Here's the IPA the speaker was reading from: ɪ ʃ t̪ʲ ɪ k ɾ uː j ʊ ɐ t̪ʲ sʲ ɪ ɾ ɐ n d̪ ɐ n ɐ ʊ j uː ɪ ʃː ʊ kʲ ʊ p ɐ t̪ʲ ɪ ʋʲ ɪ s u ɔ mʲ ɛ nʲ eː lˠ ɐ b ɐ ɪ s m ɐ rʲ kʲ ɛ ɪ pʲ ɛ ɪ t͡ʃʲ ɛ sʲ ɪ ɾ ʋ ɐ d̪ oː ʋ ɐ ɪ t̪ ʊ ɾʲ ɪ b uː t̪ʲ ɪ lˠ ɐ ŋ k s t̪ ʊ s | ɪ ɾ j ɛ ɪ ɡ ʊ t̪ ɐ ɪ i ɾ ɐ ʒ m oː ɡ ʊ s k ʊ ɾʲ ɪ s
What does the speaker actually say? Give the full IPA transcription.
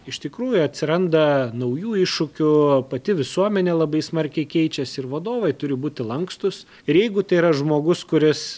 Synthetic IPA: ɪ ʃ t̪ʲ ɪ k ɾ uː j ʊ ɐ t̪ʲ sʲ ɪ ɾ ɐ n d̪ ɐ n ɐ ʊ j uː ɪ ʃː ʊ kʲ ʊ p ɐ t̪ʲ ɪ ʋʲ ɪ s u ɔ mʲ ɛ nʲ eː lˠ ɐ b ɐ ɪ s m ɐ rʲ kʲ ɛ ɪ kʲ ɛ ɪ t͡ʃʲ ɛ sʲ ɪ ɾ ʋ ɐ d̪ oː ʋ ɐ ɪ t̪ ʊ ɾʲ ɪ b uː t̪ʲ ɪ lˠ ɐ ŋ k s t̪ ʊ s | ɪ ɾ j ɛ ɪ ɡ ʊ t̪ ɐ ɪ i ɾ ɐ ʒ m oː ɡ ʊ s k ʊ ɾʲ ɪ s